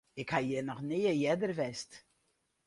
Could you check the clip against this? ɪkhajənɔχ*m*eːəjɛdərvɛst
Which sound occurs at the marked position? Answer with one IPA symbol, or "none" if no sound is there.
n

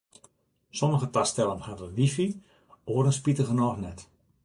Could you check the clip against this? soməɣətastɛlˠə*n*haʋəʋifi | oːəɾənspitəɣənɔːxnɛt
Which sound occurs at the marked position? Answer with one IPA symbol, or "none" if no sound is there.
n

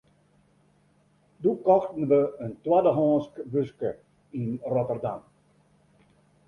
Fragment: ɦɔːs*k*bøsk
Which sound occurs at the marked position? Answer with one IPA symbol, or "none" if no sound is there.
k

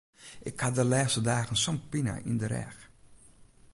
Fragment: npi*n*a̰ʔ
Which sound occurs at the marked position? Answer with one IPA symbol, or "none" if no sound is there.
n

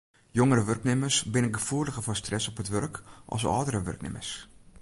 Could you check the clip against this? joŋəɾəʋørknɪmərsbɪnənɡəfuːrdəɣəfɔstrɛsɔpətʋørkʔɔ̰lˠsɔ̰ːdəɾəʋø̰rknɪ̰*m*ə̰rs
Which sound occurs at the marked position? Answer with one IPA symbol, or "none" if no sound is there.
m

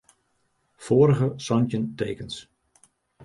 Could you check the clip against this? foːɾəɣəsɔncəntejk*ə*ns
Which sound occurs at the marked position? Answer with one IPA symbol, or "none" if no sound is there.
ə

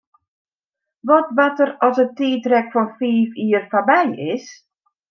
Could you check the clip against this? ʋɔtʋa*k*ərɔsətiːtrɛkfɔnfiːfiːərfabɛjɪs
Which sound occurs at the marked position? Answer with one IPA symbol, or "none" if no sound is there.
t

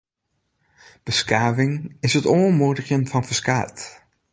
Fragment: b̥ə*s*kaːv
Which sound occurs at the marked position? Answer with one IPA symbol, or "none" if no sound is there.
s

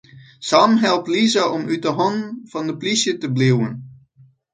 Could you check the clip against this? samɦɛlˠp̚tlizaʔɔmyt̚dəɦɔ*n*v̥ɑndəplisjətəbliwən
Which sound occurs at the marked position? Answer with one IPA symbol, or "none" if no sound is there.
n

